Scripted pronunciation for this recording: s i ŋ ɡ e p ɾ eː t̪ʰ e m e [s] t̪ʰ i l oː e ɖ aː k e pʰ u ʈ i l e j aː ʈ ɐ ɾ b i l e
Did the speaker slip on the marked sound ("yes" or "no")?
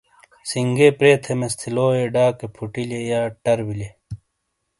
no